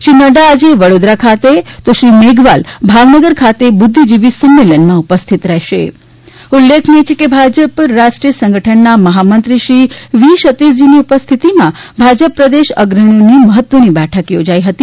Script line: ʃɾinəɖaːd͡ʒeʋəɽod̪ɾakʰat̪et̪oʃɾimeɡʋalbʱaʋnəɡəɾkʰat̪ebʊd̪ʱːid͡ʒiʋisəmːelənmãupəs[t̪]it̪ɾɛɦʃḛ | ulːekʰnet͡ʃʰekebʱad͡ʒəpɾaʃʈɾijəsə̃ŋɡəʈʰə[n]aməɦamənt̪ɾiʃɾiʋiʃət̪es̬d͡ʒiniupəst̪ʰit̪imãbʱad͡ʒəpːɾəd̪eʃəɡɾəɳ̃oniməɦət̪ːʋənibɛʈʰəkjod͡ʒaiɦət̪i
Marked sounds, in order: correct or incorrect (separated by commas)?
incorrect, incorrect